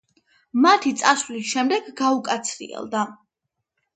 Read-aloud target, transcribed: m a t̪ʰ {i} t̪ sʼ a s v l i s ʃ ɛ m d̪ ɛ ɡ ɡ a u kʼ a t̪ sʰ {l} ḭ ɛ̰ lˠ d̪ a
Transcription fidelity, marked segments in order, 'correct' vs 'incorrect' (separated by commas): correct, incorrect